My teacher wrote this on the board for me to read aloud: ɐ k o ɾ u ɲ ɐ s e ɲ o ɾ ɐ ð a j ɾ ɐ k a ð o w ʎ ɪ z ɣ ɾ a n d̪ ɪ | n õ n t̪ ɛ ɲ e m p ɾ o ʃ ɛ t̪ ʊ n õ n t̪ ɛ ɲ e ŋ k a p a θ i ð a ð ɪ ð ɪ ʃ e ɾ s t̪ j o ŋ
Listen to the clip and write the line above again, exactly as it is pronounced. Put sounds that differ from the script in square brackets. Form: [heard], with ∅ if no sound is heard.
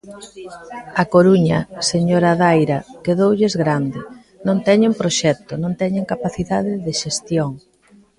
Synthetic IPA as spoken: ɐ k o ɾ u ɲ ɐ s e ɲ o ɾ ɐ ð a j ɾ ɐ k [e] ð o w ʎ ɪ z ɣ ɾ a n d̪ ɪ | n õ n t̪ ɛ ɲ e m p ɾ o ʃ ɛ t̪ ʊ n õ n t̪ ɛ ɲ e ŋ k a p a θ i ð a ð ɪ ð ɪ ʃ e [∅] s t̪ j o ŋ